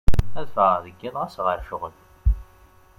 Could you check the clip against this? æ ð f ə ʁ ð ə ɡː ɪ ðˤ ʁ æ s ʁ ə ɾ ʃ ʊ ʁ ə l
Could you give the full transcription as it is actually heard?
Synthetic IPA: æ ð f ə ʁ ð ə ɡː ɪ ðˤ ʁ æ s ʁ ə ɾ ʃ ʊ ʁ ə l